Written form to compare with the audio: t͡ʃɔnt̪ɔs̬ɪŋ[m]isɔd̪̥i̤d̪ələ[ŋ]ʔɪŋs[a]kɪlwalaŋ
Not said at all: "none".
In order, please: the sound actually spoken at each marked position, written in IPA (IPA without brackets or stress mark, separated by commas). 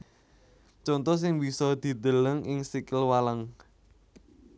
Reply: b, ŋ, i